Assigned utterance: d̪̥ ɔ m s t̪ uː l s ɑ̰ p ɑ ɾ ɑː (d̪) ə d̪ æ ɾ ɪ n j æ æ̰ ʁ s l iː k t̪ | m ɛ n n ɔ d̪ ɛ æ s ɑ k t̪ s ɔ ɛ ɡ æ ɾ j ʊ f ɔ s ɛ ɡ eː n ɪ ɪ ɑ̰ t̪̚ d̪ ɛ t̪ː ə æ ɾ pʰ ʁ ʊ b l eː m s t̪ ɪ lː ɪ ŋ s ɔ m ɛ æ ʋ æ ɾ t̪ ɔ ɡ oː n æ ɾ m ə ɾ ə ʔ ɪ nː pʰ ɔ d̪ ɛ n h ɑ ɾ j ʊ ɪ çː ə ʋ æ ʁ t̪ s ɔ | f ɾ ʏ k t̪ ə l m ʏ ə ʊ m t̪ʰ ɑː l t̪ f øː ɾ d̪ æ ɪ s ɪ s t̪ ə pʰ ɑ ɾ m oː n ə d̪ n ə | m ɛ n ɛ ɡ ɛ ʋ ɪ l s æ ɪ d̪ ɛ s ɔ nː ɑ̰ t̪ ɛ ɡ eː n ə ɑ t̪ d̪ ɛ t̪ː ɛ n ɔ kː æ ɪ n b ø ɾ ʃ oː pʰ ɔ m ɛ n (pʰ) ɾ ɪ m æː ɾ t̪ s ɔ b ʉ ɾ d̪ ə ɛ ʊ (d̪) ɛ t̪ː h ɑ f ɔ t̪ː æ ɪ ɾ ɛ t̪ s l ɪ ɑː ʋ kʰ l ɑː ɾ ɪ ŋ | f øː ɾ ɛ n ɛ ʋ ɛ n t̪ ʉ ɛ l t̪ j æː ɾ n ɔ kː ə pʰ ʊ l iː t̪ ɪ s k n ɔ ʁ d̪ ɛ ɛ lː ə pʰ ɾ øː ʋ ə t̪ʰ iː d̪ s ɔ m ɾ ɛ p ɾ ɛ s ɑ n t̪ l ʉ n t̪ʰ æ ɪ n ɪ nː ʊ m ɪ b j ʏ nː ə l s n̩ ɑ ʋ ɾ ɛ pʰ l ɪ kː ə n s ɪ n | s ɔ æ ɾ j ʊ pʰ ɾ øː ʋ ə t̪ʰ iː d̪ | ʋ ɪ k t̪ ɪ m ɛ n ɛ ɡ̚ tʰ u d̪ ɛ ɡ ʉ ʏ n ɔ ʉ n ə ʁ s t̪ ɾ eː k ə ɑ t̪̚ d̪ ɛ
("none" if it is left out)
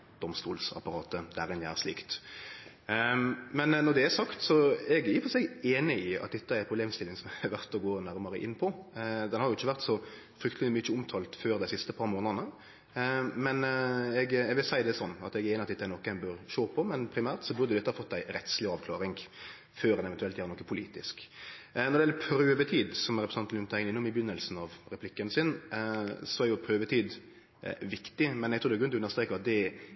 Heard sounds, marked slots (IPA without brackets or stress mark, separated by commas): t̪, pʰ, d̪